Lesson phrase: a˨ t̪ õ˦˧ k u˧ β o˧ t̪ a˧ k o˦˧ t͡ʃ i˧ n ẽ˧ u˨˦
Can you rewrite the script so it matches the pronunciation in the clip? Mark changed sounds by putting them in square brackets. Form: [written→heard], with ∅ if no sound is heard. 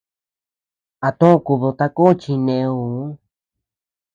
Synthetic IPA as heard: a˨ t̪ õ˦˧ k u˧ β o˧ t̪ a˧ k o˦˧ t͡ʃ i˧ n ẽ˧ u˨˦